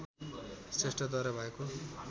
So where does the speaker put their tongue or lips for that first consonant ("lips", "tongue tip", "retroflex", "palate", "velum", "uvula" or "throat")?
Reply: tongue tip